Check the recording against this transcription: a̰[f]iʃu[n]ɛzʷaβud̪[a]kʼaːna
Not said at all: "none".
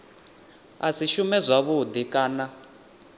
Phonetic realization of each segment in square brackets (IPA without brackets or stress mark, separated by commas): s, m, i